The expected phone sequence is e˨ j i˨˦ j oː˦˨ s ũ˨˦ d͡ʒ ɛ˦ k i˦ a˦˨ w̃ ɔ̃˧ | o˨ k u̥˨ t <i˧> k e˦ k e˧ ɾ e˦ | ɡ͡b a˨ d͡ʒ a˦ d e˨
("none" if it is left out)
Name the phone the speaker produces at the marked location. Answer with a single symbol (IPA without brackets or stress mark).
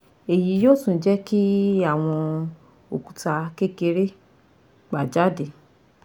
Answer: a˧